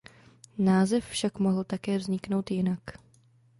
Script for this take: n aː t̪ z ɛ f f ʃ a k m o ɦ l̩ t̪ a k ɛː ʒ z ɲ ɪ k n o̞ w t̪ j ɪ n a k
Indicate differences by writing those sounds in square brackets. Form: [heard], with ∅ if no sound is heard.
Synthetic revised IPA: n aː [∅] z ɛ f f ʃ a k m o ɦ l̩ t̪ a k ɛː [v] z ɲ ɪ k n o̞ w t̪ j ɪ n a k